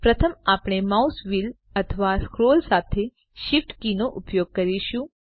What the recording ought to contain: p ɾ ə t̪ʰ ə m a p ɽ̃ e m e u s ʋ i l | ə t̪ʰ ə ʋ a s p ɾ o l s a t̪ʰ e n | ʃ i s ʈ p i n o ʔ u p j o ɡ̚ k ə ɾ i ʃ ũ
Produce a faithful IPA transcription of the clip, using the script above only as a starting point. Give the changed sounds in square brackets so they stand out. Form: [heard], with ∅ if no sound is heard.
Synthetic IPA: p ɾ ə t̪ʰ ə m a p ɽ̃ e m [a] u s ʋ i l | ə t̪ʰ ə ʋ a s [k] ɾ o l s a t̪ʰ e [∅] | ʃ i [f] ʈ [k] i n o ʔ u p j o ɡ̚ k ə ɾ i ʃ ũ